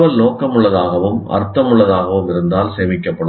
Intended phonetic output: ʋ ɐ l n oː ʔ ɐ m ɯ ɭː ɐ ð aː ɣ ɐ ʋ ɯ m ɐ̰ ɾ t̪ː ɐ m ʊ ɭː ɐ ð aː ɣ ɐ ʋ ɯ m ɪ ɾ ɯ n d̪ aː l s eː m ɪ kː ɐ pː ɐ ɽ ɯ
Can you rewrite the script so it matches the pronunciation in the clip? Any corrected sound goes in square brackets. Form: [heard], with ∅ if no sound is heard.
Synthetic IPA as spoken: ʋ ɐ l n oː [k] ɐ m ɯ ɭː ɐ ð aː ɣ ɐ ʋ ɯ m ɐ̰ ɾ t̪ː ɐ m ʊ ɭː ɐ ð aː ɣ ɐ ʋ ɯ m ɪ ɾ ɯ n d̪ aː l s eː m ɪ kː ɐ pː ɐ ɽ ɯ